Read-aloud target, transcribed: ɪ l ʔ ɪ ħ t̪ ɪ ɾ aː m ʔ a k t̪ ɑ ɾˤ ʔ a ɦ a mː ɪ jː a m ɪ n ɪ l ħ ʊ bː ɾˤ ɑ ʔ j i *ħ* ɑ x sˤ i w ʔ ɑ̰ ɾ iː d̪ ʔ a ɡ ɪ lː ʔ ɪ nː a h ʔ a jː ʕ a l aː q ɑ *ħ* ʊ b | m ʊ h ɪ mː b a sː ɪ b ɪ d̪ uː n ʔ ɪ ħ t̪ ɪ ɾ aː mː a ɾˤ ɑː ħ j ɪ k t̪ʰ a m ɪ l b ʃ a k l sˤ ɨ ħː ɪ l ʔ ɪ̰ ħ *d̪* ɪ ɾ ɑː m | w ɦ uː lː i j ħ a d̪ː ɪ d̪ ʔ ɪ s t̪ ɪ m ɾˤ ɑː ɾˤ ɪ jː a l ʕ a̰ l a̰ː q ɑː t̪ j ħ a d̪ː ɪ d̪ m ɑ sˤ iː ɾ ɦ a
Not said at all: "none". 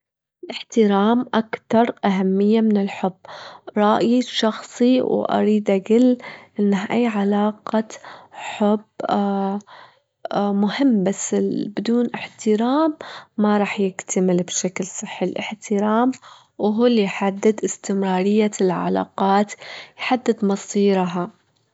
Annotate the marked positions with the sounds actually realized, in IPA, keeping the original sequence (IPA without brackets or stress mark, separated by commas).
ʃ, ħ, t̪